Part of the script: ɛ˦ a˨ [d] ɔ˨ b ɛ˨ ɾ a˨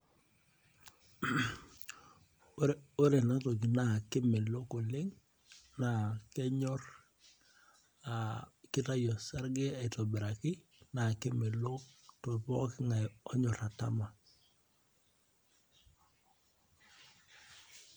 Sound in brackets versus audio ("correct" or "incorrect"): incorrect